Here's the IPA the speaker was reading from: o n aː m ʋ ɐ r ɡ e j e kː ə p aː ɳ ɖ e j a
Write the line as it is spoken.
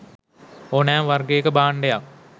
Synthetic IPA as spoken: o n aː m ʋ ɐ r ɡ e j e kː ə b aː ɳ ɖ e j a